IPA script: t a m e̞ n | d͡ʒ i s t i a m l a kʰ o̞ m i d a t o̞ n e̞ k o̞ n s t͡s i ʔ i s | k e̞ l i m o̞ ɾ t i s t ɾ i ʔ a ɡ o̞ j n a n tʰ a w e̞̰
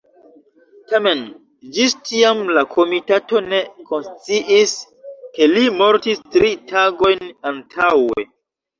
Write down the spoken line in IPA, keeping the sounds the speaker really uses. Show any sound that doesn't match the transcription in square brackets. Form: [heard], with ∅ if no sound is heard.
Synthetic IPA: t a m e̞ n | d͡ʒ i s t i a m l a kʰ o̞ m i [t] a t o̞ n e̞ k o̞ n s t͡s i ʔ i s | k e̞ l i m o̞ ɾ t i s t ɾ i [t] a ɡ o̞ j n a n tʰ a w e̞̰